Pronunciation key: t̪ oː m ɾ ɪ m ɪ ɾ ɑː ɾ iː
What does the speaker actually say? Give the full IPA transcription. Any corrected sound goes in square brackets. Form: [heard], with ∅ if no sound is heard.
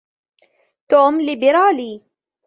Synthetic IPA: t̪ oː m [l] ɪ [b] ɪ ɾ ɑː [l] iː

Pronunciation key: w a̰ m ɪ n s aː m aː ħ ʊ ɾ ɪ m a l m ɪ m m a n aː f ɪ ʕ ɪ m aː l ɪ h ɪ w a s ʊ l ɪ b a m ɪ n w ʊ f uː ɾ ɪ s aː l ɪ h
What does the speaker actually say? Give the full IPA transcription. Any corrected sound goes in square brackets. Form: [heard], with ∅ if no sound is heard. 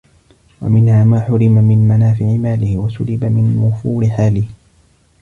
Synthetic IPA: w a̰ m ɪ n [h] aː m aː ħ ʊ ɾ ɪ m a [∅] m ɪ [n] m a n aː f ɪ ʕ ɪ m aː l ɪ h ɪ w a s ʊ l ɪ b a m ɪ n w ʊ f uː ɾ ɪ [ħ] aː l ɪ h

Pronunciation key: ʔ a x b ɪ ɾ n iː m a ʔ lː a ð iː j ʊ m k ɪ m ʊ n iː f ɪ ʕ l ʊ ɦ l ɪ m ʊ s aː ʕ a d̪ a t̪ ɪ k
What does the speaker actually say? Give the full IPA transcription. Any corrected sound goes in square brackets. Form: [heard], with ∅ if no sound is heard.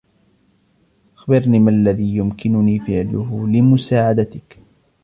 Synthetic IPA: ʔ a x b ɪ ɾ n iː m a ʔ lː a ð iː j ʊ m k ɪ [n] ʊ n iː f ɪ ʕ l ʊ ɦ l ɪ m ʊ s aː ʕ a d̪ a t̪ ɪ k

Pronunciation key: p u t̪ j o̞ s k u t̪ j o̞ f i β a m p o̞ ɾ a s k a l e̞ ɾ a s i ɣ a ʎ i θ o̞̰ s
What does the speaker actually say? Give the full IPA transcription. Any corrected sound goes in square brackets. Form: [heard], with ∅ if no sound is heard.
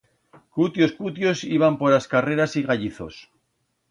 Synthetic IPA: [k] u t̪ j o̞ s k u t̪ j o̞ [s] i β a m p o̞ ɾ a s k a [r] e̞ ɾ a s i ɣ a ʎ i θ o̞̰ s

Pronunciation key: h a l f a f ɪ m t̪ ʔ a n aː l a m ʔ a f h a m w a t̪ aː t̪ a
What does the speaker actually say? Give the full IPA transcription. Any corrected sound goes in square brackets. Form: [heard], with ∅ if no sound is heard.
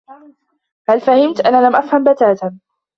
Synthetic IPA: h a l f a [h] ɪ m t̪ ʔ a n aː l a m ʔ a f h a m [b] a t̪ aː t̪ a

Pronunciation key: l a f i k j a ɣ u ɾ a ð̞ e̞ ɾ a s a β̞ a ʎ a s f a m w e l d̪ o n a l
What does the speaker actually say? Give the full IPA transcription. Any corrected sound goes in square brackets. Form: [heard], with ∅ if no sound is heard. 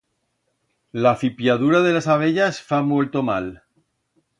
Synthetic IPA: l a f i [p] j a [ð] u ɾ a ð̞ e̞ [l] a s a β̞ [e] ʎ a s f a m w e l [t̪] o [m] a l

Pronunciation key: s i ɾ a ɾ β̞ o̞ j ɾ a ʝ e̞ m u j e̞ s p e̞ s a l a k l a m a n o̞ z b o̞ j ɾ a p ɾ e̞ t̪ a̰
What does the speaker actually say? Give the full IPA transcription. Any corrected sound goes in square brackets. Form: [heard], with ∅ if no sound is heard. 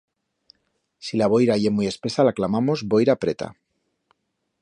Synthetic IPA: s i [l] a [∅] β̞ o̞ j ɾ a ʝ e̞ m u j e̞ s p e̞ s a l a k l a m a [m] o̞ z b o̞ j ɾ a p ɾ e̞ t̪ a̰

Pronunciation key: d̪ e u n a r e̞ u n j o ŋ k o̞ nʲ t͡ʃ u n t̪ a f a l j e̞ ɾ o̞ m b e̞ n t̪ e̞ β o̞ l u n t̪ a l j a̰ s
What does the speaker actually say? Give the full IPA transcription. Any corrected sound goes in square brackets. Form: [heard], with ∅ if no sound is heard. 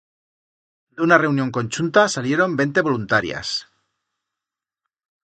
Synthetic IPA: d̪ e u n a r e̞ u n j o ŋ k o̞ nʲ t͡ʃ u n t̪ a [s] a l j e̞ ɾ o̞ m b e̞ n t̪ e̞ β o̞ l u n t̪ a [ɾ] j a̰ s

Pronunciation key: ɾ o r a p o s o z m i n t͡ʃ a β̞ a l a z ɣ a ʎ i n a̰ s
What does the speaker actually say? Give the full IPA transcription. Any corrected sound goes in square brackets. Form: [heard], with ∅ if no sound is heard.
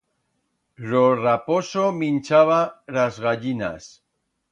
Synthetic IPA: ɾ o r a p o s o [∅] m i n t͡ʃ a β̞ a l a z ɣ a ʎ i n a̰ s

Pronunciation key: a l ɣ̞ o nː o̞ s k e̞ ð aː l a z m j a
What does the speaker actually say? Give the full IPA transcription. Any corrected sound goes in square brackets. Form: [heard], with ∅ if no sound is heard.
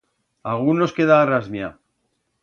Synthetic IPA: a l ɣ̞ [u] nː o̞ s k e̞ ð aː [r] a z m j a

